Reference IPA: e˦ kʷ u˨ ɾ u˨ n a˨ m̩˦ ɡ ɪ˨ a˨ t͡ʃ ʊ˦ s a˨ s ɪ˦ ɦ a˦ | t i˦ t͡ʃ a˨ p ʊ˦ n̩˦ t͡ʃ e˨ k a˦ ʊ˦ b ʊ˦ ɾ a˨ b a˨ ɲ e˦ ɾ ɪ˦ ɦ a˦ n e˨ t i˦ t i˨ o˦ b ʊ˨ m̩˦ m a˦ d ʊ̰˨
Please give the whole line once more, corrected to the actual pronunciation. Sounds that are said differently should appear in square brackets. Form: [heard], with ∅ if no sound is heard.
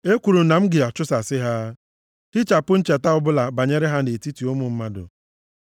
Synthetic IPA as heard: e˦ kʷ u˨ ɾ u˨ n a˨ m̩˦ ɡ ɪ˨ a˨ t͡ʃ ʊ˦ s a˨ s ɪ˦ ɦ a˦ | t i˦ t͡ʃ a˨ p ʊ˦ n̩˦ t͡ʃ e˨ [t] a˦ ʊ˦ b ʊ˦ [l] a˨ b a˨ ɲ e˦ ɾ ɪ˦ ɦ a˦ n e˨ t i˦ t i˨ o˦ [m] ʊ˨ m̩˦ m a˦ d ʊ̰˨